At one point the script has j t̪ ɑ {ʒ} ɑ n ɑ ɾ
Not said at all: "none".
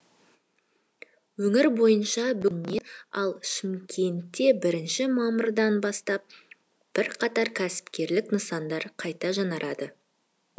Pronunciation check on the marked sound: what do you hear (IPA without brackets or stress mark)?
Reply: ʒ